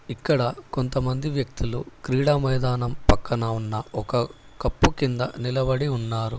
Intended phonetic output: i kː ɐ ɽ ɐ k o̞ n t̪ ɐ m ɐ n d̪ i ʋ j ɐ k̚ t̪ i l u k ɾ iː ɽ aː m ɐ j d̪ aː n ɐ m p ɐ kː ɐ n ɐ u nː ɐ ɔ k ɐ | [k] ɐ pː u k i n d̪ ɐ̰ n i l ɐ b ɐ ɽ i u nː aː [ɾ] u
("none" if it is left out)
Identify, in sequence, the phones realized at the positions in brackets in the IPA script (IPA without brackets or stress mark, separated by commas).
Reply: k, ɾ